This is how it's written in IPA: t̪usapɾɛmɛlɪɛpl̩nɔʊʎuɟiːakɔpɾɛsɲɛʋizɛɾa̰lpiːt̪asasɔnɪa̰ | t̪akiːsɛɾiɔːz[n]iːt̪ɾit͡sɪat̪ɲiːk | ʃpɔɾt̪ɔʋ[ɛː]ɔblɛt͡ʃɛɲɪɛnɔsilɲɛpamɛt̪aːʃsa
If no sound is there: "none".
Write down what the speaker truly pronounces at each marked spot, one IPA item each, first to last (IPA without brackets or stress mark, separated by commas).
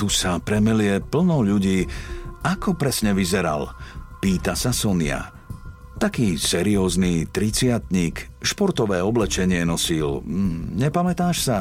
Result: n, ɛː